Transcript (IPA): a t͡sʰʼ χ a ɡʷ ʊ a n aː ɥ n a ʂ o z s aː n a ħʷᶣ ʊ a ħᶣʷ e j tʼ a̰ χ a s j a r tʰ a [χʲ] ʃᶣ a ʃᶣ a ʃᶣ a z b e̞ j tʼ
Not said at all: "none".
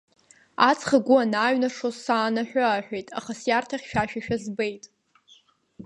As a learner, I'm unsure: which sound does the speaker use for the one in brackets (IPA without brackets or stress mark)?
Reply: χʲ